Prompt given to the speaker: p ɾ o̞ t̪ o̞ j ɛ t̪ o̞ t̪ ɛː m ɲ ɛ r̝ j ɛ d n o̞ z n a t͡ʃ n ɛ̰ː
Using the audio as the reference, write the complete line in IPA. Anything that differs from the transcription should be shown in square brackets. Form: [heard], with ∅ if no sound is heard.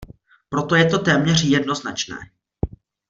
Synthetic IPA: p ɾ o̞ t̪ o̞ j ɛ t̪ o̞ t̪ ɛː m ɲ ɛ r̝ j ɛ d n o̞ z n a t͡ʃ n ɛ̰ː